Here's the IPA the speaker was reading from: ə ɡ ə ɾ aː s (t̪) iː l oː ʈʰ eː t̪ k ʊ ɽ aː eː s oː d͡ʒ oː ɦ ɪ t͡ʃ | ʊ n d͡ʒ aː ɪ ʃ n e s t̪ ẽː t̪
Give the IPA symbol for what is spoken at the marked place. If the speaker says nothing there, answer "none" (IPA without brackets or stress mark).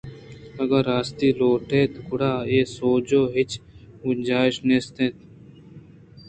t̪